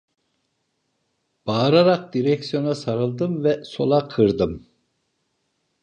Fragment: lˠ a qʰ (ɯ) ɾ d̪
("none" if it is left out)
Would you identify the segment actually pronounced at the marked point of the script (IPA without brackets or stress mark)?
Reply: ɯ